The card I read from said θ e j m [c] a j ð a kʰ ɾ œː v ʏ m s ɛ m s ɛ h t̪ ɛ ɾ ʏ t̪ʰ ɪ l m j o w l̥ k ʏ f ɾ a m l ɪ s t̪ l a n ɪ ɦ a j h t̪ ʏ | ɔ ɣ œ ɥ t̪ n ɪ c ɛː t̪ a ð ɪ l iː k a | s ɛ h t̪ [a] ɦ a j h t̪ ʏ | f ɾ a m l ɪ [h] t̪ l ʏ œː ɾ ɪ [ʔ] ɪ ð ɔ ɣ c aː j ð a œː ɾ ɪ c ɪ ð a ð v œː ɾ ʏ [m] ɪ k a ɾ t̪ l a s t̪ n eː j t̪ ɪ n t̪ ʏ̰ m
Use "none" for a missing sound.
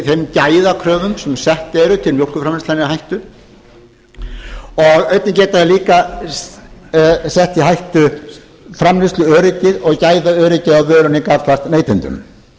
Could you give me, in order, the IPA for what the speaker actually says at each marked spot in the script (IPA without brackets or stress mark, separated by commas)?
c, i, s, c, n